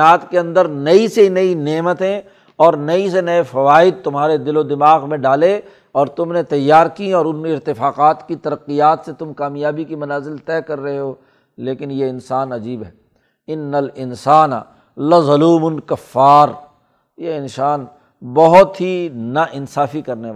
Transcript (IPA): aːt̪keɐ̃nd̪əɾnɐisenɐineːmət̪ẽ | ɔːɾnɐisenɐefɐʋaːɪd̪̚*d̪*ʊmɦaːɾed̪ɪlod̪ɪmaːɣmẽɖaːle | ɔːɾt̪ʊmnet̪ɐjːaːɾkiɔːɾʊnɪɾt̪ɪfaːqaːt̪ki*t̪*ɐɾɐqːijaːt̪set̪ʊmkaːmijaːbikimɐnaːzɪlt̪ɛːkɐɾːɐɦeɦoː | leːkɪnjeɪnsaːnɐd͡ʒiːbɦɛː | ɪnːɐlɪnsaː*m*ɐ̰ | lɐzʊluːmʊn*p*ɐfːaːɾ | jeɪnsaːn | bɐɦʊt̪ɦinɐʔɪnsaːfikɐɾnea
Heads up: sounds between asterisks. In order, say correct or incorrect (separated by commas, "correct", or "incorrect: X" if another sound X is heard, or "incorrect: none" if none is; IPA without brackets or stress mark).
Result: incorrect: t̪, correct, incorrect: n, incorrect: k